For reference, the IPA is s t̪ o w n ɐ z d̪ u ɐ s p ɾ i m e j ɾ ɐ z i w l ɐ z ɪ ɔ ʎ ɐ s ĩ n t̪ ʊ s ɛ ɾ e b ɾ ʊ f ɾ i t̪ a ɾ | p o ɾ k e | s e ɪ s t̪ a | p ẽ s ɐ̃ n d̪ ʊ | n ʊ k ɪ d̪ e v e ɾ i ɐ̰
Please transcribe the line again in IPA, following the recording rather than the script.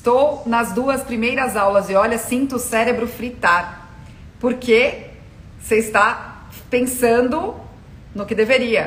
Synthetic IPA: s t̪ o w n ɐ z d̪ u ɐ s p ɾ i m e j ɾ ɐ z a w l ɐ z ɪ ɔ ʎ ɐ s ĩ n t̪ ʊ s ɛ ɾ e b ɾ ʊ f ɾ i t̪ a ɾ | p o ɾ k e | s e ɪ s t̪ a | p ẽ s ɐ̃ n d̪ ʊ | n ʊ k ɪ d̪ e v e ɾ i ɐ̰